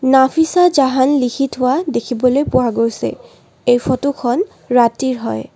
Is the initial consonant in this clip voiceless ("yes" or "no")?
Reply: no